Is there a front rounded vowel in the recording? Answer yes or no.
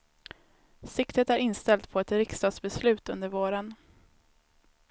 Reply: no